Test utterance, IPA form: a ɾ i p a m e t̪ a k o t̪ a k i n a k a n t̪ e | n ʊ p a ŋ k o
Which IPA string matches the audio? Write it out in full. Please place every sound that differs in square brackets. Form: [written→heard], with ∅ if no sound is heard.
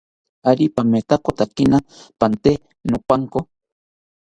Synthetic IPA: a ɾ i p a m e t̪ a k o t̪ a k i n a [k→p] a n t̪ e | n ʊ p a ŋ k o